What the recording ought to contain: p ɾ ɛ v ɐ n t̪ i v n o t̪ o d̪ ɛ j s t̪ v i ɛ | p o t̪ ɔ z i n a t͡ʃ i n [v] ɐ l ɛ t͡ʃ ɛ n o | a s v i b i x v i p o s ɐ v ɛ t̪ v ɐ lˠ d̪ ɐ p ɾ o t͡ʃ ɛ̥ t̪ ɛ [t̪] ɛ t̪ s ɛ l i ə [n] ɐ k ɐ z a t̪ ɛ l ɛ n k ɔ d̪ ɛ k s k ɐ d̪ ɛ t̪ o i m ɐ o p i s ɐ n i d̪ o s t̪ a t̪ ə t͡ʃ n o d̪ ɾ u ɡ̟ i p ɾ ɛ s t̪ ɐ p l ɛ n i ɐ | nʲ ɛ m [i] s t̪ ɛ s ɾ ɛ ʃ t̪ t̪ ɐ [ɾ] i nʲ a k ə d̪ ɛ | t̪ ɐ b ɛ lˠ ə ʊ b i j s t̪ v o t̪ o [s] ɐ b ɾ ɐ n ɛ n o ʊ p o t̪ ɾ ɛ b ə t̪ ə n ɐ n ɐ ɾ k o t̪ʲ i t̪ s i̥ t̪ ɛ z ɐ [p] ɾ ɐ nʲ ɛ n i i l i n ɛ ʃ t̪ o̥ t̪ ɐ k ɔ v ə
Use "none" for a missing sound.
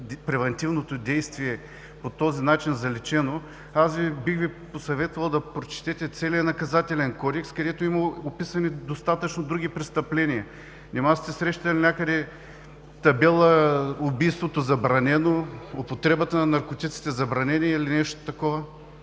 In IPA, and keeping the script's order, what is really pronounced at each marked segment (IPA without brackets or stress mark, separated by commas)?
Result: z, t̪, n, a, l, z, b